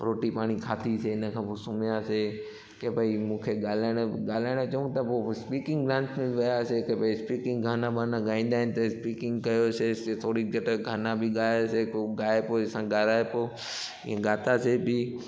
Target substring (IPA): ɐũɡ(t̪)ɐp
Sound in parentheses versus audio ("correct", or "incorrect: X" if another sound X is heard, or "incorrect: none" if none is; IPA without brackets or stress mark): correct